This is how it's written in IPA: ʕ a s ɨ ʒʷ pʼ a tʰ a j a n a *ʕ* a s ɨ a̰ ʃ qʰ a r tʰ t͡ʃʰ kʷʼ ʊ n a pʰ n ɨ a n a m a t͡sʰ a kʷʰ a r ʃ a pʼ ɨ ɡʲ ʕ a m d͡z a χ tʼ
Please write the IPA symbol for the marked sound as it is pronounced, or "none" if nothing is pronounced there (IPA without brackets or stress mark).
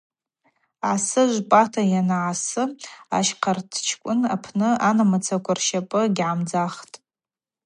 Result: ʕ